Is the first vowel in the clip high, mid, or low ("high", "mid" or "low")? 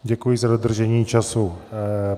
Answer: mid